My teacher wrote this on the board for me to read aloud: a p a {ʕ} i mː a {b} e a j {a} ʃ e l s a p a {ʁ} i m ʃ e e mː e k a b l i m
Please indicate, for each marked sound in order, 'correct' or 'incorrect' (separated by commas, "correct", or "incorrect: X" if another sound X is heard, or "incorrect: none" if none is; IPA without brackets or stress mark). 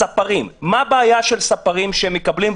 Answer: incorrect: ʁ, correct, correct, correct